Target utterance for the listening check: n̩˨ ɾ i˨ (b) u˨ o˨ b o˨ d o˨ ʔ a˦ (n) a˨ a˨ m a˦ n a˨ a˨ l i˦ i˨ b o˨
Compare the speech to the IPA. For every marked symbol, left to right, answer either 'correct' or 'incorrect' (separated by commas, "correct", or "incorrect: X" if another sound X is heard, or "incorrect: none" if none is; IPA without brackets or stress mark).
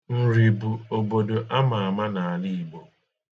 correct, incorrect: m